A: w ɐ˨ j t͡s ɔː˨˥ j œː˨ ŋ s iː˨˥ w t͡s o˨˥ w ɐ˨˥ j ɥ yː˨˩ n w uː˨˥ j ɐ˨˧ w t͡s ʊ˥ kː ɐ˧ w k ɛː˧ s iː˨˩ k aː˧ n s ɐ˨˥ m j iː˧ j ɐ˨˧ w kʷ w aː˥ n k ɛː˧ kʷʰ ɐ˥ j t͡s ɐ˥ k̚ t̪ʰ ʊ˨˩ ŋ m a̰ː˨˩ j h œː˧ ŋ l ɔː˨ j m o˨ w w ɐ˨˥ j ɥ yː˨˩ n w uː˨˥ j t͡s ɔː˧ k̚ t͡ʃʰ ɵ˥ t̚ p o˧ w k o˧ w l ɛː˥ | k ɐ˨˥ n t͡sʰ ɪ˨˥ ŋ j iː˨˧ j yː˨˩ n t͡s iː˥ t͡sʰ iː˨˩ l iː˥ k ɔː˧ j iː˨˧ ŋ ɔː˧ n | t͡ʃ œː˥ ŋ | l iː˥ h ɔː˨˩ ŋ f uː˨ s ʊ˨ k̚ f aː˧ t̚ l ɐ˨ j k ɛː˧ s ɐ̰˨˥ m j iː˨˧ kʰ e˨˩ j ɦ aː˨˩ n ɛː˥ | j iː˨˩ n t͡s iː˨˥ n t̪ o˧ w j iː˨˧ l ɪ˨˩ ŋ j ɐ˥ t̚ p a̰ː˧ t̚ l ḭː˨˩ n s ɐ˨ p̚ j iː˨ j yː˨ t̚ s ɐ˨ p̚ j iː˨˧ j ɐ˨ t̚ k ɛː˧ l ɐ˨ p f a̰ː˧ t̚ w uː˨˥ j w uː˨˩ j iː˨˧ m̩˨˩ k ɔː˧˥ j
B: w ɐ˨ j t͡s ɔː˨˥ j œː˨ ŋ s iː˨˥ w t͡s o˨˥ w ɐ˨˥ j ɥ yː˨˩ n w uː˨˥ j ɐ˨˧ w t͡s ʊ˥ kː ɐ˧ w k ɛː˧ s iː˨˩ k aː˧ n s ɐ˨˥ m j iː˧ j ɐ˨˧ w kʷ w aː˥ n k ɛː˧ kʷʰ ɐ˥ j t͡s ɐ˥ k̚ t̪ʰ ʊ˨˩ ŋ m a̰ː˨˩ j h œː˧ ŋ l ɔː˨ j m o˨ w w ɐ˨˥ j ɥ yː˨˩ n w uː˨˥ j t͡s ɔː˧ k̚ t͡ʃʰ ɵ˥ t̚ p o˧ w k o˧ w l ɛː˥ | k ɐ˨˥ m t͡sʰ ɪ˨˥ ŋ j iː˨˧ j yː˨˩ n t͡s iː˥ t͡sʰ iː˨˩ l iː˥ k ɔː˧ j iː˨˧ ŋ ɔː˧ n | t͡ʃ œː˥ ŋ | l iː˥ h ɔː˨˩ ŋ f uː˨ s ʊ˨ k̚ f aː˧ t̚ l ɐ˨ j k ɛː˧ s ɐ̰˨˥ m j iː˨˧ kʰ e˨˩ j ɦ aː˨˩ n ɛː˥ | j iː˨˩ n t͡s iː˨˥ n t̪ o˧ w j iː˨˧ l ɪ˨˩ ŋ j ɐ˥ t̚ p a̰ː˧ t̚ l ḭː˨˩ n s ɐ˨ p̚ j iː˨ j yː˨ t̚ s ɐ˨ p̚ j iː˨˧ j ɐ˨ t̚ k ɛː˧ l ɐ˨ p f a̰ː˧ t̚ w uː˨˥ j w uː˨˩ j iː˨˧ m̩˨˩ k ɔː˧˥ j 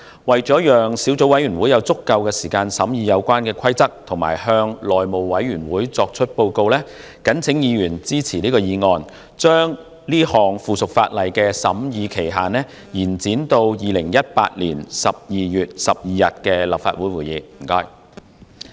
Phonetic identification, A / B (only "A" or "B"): A